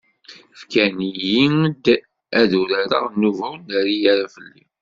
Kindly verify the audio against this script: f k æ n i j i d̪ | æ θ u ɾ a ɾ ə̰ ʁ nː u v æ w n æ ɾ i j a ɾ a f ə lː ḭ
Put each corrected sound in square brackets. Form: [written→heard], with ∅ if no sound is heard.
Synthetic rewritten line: f k æ n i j i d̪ | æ [θ→ð] u ɾ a ɾ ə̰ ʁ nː u v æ w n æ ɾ i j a ɾ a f ə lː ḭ